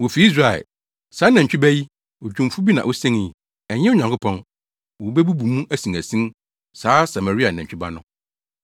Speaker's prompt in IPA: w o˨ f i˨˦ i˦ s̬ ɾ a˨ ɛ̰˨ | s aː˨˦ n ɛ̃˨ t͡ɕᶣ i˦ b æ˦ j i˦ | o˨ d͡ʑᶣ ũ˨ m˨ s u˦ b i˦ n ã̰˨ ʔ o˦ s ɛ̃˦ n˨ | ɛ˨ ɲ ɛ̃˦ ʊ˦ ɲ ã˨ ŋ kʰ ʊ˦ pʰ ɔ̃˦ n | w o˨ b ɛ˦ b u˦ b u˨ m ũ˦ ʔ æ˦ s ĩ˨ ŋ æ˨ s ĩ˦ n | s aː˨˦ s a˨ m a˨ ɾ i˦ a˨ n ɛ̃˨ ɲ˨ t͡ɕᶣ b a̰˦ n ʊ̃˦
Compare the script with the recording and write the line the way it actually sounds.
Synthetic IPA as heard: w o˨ f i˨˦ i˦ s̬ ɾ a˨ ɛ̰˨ | s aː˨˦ n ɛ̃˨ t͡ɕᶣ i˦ b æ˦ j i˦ | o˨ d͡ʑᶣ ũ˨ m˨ f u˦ b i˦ n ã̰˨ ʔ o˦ s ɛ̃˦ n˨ | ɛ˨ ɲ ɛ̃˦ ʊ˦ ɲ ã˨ ŋ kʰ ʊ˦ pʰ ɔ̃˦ n | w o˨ b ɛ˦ b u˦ b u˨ m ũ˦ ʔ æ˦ s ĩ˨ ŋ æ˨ s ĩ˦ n | s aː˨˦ s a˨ m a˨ ɾ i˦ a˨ n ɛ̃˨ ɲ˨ t͡ɕᶣ b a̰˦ n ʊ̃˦